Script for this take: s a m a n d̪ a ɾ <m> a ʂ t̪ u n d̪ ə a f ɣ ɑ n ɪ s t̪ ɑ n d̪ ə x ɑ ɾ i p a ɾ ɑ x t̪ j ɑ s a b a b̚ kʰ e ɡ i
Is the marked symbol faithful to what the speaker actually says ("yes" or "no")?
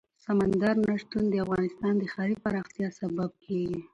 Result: no